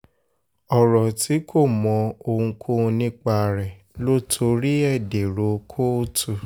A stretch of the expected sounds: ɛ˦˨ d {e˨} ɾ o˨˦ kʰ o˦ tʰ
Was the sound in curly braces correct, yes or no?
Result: yes